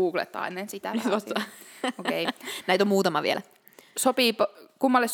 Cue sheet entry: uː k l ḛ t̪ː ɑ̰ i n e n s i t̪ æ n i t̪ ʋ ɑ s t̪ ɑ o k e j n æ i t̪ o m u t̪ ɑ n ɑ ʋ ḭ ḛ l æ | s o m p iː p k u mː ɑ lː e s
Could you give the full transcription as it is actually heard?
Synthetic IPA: uː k l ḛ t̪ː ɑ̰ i n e n s i t̪ æ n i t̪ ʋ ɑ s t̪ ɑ o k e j n æ i t̪ o m uː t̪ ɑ m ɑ ʋ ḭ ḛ l æ | s o p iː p k u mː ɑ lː e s